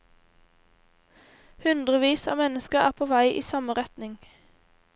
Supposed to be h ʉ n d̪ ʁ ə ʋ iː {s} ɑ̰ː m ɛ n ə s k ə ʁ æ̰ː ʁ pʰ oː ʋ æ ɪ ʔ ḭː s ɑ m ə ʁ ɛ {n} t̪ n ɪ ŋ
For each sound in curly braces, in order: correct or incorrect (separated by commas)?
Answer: correct, incorrect